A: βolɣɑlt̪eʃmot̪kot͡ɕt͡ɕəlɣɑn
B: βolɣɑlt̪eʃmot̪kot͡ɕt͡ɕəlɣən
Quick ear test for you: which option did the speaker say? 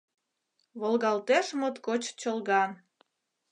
A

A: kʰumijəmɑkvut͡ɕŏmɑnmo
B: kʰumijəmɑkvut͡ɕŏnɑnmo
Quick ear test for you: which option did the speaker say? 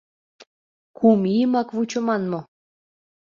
A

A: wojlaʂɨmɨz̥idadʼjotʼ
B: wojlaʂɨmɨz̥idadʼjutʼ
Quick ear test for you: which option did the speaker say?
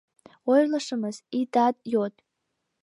A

